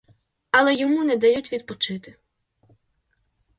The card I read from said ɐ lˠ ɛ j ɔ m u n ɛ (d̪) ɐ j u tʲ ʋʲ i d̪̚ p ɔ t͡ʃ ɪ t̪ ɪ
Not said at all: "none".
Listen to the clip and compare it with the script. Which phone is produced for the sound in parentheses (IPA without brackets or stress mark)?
d̪